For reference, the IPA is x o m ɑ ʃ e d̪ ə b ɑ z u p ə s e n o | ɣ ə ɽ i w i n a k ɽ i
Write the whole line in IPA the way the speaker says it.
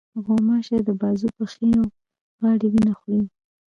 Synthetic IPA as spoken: ɣ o m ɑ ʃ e d̪ ə b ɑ z u p ə x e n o | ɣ ɑ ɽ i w i n a x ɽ i